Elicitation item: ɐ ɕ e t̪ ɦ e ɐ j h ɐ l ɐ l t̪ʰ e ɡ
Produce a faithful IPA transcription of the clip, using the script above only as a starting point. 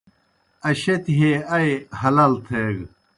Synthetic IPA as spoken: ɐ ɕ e t̪ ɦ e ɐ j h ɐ l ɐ l t̪ʰ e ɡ